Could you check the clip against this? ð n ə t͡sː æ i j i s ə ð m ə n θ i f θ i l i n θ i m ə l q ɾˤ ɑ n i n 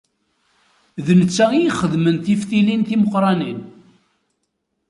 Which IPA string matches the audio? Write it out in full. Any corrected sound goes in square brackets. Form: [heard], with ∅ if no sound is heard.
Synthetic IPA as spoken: ð n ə t͡sː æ i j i [χ] ə ð m ə n θ i f θ i l i n θ i m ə [∅] q ɾˤ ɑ n i n